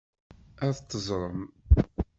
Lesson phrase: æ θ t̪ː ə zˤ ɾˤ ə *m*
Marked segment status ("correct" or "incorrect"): correct